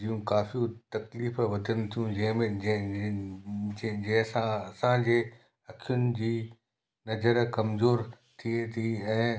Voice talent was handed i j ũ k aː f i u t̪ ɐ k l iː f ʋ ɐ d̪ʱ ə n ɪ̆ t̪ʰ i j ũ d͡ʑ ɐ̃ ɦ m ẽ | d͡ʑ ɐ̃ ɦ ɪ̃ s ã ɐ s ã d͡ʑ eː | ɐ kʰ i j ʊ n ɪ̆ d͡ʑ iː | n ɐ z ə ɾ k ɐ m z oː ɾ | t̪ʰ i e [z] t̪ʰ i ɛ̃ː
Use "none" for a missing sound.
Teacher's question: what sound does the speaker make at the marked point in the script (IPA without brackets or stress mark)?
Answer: none